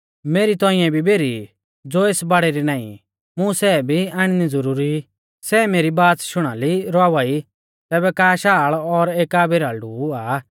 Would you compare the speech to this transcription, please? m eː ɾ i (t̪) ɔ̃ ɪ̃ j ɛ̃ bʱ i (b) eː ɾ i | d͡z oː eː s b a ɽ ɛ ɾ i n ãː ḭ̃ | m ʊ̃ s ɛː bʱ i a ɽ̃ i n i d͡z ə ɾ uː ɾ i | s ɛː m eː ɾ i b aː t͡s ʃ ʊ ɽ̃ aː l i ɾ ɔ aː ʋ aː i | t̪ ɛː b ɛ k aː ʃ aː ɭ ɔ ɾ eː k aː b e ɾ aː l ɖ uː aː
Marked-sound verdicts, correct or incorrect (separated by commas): correct, correct